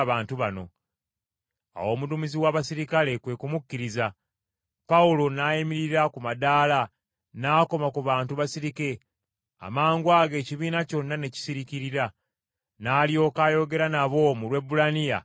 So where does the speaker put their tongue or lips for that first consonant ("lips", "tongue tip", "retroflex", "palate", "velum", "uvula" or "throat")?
lips